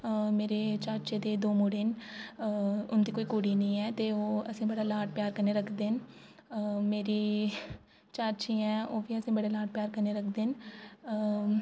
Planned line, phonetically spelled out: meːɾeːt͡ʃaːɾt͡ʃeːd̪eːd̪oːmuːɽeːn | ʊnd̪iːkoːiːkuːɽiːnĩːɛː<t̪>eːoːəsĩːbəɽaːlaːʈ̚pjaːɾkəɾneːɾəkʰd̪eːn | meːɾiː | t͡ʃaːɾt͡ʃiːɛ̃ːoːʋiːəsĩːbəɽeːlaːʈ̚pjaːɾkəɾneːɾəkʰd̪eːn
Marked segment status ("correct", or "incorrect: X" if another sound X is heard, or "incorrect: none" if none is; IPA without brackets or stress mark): correct